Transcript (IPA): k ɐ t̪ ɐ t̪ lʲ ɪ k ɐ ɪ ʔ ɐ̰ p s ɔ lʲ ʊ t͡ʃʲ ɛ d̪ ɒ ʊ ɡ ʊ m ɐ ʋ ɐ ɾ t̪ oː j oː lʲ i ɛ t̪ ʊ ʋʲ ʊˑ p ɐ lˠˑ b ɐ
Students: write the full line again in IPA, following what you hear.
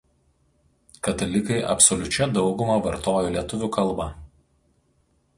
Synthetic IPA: k ɐ t̪ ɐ lʲ ɪ k ɐ ɪ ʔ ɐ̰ p s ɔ lʲ ʊ t͡ʃʲ ɛ d̪ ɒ ʊ ɡ ʊ m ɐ ʋ ɐ ɾ t̪ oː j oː lʲ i ɛ t̪ ʊ ʋʲ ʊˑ k ɐ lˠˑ b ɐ